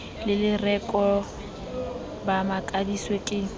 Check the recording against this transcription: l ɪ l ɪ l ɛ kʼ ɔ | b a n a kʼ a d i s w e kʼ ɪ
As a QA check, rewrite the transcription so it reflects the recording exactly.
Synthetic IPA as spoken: l ɪ l ɪ r ɛ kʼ ɔ | b a m a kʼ a d i s w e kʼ ɪ